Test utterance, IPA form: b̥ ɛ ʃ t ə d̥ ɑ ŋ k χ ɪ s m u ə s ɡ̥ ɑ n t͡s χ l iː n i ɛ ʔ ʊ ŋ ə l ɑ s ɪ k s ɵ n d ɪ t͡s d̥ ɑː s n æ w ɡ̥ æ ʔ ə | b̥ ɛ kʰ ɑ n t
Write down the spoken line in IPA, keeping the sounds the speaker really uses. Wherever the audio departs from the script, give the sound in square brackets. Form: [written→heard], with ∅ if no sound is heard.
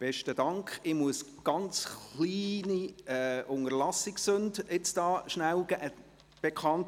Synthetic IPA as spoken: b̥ ɛ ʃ t ə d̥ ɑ ŋ k χ ɪ [s→∅] m u ə s ɡ̥ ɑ n t͡s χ l iː n i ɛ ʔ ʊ ŋ ə l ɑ s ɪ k s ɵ n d ɪ t͡s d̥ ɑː [s→ʃ] n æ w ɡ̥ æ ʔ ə | b̥ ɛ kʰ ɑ n t